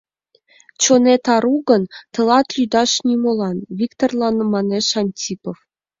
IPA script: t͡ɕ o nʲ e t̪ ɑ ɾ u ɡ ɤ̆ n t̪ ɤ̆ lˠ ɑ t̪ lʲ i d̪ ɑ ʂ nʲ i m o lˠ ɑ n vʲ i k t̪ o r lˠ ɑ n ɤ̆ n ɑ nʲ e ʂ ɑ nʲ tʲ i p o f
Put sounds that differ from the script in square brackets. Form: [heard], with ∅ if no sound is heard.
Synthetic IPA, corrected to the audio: t͡ɕ o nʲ e t̪ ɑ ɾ u ɡ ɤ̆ n t̪ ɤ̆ lˠ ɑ t̪ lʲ [y] d̪ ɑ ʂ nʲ i m o lˠ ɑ n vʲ i k t̪ o r lˠ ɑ n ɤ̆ [m] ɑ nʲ e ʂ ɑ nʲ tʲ i p o f